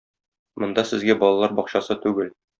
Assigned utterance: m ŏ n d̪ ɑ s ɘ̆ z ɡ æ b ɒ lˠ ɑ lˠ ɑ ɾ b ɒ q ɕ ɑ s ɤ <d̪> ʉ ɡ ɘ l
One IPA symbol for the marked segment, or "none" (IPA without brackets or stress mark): t̪